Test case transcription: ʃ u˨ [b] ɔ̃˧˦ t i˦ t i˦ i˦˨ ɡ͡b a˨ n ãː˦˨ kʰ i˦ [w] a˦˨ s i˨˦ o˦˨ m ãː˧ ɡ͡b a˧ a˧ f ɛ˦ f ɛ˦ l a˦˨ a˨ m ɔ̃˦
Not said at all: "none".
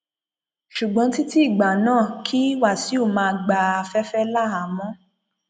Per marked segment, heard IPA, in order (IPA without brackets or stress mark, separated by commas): ɡ͡b, w